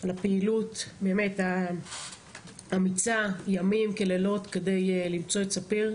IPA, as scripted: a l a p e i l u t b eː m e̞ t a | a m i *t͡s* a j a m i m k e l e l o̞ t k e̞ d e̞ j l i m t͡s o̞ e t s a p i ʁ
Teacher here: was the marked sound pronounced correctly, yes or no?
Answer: yes